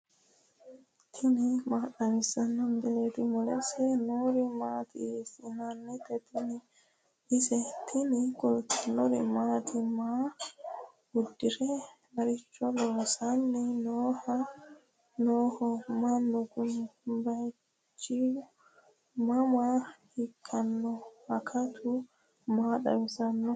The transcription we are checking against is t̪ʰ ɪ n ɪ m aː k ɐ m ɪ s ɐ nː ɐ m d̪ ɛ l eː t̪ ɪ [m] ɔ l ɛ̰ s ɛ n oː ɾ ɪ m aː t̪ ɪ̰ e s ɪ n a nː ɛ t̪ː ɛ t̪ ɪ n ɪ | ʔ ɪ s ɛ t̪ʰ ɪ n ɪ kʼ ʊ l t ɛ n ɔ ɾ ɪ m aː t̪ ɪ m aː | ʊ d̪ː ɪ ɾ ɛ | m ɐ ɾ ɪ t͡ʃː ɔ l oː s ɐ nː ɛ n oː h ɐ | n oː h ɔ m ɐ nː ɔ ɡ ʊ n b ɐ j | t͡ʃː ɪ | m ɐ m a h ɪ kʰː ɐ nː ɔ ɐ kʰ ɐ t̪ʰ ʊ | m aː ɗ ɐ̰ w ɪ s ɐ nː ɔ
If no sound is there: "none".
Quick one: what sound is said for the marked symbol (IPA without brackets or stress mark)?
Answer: m